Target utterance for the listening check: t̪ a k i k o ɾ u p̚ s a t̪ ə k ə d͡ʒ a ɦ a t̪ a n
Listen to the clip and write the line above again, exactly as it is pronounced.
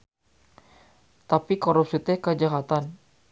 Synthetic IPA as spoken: t̪ a p i k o ɾ u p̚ s i t̪ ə k ə d͡ʒ a ɦ a t̪ a n